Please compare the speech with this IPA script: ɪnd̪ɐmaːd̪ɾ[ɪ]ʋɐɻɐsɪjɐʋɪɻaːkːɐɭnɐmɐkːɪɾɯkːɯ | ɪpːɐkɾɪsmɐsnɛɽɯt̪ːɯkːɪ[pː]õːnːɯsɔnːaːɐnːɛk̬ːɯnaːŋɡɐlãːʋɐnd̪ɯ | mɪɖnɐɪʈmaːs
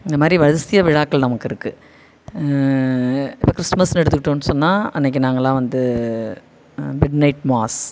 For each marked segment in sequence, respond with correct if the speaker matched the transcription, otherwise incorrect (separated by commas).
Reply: incorrect, incorrect